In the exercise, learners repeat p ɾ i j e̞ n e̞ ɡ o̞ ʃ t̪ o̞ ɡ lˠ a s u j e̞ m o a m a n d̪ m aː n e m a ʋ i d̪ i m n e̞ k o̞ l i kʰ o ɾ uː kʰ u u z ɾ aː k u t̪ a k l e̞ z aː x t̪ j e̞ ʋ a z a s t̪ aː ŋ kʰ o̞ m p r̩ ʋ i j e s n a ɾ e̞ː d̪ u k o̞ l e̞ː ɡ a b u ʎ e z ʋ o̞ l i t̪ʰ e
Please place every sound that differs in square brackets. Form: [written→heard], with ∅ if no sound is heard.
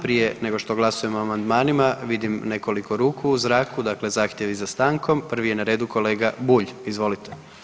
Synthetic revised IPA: p ɾ i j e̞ n e̞ ɡ o̞ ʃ t̪ o̞ ɡ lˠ a s u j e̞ m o a m a n d̪ m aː n [e→i] m a ʋ i d̪ i m n e̞ k o̞ l i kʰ o ɾ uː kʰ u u z ɾ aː k u [t̪→d̪] a k l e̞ z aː x t̪ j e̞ ʋ [a→i] z a s t̪ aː ŋ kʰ o̞ m p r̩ ʋ i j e [s→∅] n a ɾ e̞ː d̪ u k o̞ l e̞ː ɡ a b u ʎ [e→i] z ʋ o̞ l i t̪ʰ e